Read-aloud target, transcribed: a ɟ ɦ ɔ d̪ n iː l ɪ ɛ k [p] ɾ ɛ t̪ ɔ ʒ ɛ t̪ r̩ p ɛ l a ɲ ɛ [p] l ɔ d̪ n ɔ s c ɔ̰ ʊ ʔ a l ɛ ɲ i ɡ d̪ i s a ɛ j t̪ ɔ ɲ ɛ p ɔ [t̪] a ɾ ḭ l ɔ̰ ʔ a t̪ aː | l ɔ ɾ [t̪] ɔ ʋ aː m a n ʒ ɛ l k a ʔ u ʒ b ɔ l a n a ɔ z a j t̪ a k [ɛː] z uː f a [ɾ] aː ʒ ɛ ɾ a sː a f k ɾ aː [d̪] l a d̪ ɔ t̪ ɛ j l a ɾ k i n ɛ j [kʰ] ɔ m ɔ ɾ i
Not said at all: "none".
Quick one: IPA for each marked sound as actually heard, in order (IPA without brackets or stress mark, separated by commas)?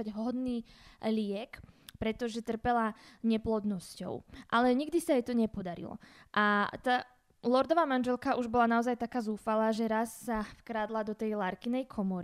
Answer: p, p, d̪, d̪, aː, l, d̪, kʰ